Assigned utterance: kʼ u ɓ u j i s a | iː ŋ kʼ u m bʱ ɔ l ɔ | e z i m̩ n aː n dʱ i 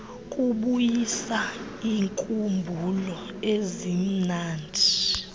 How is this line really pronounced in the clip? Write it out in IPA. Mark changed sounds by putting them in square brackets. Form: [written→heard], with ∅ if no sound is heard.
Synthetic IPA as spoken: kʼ u ɓ u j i s a | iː ŋ kʼ u m bʱ [ɔ→u] l ɔ | e z i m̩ n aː n dʱ i